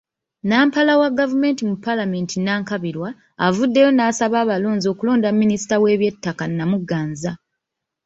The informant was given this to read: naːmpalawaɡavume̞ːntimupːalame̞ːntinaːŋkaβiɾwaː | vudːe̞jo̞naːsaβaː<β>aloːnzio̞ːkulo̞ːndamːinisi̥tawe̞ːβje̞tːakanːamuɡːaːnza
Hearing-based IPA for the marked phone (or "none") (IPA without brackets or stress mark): β